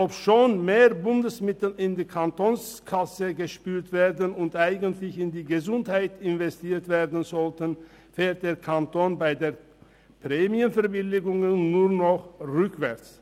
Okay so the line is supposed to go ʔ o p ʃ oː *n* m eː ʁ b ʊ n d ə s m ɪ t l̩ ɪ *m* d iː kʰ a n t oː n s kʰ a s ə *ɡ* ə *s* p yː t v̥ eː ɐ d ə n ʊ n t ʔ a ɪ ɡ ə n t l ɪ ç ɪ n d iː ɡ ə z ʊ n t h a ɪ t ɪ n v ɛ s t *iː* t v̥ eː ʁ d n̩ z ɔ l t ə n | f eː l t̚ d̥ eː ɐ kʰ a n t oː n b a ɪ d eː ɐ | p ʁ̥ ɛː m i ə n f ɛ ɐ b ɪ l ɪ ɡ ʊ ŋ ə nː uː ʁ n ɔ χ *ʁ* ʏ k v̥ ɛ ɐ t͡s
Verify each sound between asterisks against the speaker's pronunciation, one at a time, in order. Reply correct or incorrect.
correct, incorrect, correct, incorrect, correct, correct

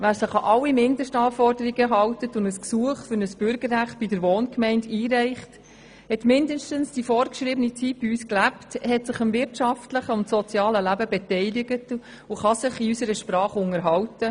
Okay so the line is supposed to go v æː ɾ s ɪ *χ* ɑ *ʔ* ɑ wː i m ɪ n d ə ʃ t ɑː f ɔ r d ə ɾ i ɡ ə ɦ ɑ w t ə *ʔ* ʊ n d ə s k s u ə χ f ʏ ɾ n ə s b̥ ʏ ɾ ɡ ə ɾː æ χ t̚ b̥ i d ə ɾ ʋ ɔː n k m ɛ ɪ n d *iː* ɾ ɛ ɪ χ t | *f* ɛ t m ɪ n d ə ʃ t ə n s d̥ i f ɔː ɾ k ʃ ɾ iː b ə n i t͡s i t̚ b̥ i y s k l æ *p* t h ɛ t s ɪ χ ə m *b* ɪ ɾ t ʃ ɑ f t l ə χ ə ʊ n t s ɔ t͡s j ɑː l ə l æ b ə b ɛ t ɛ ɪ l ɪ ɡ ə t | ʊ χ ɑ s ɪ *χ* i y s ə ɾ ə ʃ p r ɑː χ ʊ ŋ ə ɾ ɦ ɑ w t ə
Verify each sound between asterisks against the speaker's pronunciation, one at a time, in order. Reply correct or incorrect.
correct, correct, incorrect, correct, incorrect, correct, incorrect, correct

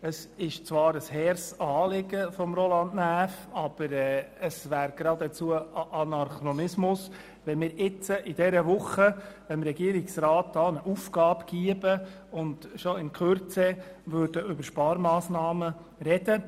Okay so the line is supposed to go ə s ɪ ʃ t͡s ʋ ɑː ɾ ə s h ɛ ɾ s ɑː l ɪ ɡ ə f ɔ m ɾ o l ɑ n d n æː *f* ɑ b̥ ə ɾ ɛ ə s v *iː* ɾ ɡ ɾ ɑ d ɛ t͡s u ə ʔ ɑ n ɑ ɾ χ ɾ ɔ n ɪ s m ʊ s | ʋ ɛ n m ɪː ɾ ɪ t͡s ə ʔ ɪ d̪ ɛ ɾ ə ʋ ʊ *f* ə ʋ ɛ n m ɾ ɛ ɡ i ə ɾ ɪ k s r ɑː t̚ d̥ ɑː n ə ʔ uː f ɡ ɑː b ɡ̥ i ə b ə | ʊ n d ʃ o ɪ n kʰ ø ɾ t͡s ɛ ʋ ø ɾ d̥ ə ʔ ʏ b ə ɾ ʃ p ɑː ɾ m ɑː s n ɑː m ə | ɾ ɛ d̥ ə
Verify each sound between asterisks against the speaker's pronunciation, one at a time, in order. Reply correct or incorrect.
correct, incorrect, incorrect

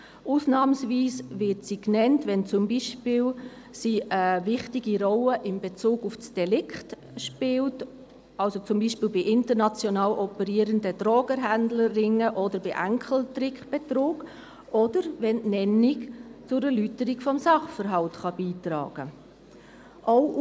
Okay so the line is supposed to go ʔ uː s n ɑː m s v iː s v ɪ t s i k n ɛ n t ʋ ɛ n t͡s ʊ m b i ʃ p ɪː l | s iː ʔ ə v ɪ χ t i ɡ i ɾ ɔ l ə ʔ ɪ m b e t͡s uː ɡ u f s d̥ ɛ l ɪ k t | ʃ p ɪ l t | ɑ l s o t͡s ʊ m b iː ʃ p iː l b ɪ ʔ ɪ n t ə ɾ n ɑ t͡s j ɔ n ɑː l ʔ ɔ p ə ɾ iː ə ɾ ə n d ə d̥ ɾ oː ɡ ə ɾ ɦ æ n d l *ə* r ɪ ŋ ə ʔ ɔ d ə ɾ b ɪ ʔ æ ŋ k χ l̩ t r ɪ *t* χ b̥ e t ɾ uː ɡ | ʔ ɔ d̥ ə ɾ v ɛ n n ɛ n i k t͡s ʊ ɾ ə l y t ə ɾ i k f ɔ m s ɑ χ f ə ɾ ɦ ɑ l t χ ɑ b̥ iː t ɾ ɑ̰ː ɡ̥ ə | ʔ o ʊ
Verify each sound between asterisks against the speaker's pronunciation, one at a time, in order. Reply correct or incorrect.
correct, incorrect

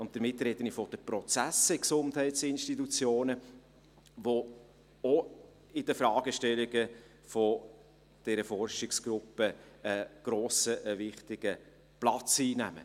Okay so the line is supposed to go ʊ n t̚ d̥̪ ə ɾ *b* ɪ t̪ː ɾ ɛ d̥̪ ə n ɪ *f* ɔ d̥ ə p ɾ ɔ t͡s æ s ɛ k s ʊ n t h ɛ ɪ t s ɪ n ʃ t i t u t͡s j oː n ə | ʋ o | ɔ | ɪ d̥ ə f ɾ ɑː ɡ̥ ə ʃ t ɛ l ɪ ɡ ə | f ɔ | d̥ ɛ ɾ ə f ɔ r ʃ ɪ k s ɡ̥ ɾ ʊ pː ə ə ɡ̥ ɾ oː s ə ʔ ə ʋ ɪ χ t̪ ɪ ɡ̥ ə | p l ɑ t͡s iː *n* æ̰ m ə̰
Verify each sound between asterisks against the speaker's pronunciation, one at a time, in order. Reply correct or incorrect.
incorrect, correct, correct

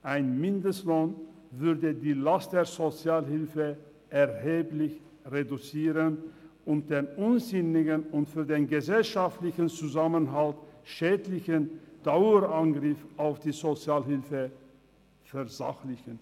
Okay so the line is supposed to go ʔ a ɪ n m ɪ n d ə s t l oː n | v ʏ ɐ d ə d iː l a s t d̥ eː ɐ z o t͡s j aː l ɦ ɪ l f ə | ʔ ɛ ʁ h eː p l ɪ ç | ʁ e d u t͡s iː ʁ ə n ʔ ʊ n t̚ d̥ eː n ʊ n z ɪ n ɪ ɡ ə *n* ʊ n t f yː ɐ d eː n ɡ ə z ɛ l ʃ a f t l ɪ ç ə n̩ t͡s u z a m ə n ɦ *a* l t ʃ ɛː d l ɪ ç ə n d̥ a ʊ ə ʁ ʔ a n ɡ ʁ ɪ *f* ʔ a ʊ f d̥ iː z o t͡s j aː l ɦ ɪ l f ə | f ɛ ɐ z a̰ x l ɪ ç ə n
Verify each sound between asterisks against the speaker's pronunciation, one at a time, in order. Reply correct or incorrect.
correct, correct, correct

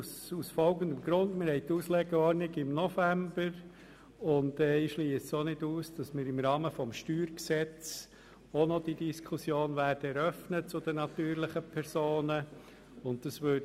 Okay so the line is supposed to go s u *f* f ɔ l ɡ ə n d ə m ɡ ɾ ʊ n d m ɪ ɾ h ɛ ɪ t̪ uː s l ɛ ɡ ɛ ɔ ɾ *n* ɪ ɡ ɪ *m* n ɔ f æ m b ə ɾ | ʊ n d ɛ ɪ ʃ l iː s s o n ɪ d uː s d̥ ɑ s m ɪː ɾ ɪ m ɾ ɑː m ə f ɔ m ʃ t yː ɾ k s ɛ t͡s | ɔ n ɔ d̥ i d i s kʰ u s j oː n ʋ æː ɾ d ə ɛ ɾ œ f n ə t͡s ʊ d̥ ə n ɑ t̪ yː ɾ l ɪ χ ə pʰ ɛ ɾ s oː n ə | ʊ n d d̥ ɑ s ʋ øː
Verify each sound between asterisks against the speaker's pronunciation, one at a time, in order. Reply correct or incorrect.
incorrect, correct, correct

